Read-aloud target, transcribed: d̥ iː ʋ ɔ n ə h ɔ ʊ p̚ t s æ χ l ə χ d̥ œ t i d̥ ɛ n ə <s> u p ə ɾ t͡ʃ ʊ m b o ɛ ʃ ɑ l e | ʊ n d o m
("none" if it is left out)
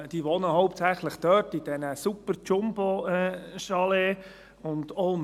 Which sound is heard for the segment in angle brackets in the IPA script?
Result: s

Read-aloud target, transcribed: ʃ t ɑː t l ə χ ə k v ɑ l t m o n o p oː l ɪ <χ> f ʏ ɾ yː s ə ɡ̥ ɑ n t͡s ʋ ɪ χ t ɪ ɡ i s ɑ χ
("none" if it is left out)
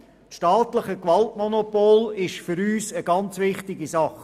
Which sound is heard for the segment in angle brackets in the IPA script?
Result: ʃ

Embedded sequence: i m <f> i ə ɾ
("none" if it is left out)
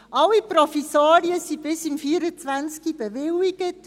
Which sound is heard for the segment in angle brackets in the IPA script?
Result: f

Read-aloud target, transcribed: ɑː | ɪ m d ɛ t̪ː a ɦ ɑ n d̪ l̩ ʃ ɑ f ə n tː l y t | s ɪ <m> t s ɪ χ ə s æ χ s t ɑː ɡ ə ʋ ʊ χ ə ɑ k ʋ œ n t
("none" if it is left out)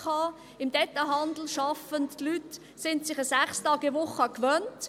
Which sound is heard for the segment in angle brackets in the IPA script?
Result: n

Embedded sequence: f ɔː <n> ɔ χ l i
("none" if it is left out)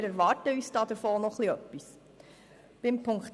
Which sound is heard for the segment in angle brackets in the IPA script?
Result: n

